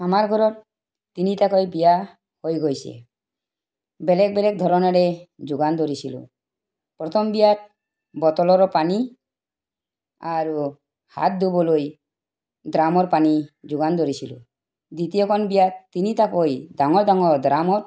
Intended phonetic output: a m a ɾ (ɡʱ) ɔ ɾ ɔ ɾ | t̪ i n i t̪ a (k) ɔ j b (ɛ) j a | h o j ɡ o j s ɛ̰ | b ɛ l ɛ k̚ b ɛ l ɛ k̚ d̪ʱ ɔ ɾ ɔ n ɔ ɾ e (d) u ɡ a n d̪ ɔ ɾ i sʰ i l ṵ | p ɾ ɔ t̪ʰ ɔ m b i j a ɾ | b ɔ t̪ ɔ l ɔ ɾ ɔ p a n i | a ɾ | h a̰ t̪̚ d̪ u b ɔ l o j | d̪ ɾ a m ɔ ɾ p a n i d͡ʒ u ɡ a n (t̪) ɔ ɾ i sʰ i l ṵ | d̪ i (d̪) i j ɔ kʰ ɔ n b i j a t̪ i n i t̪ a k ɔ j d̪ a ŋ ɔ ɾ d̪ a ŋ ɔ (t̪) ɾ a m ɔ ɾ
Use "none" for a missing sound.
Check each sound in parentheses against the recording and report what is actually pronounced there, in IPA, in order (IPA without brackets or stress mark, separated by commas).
ɡʱ, k, i, d͡ʒ, d̪, t̪, d̪